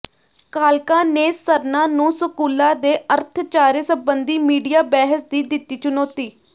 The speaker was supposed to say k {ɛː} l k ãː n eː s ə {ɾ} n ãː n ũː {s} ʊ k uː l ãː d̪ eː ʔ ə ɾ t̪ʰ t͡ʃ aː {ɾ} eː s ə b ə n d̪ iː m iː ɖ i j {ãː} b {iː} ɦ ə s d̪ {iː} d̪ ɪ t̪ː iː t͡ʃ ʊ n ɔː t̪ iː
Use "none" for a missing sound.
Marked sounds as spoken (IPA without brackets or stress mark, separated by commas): aː, ɾ, s, ɾ, aː, ɛː, iː